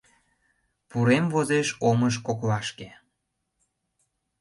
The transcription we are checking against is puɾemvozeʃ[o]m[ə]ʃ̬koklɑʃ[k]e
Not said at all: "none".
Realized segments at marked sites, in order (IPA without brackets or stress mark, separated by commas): o, ə, k